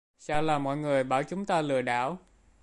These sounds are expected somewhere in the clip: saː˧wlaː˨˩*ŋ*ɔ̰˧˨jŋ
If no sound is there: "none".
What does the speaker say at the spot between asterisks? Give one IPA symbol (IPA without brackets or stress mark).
m